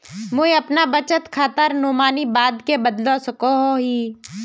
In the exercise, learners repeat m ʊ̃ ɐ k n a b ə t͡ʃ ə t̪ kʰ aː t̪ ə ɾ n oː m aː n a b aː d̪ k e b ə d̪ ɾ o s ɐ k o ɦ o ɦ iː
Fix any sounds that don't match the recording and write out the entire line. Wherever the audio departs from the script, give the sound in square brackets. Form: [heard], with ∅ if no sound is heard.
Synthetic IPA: m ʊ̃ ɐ [p] n a b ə t͡ʃ ə t̪ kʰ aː t̪ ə ɾ n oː m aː n [i] b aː d̪ k e b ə d̪ [l] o s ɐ k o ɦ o ɦ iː